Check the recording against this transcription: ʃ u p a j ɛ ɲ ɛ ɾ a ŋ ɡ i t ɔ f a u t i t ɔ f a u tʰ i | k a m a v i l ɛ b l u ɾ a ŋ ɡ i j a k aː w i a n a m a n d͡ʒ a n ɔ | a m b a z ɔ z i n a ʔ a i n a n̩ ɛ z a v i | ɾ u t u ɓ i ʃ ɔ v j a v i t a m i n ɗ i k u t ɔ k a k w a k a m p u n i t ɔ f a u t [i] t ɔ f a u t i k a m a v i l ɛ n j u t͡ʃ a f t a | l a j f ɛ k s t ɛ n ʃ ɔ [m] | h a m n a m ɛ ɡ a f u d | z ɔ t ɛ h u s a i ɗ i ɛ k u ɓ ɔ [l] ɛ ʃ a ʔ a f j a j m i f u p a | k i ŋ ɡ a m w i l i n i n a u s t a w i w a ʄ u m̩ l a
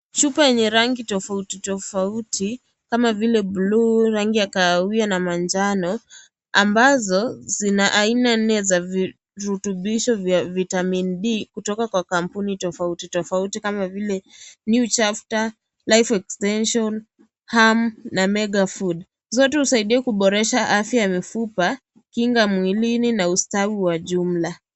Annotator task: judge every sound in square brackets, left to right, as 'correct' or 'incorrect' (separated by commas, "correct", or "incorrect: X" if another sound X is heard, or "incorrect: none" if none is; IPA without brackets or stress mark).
correct, incorrect: n, incorrect: ɾ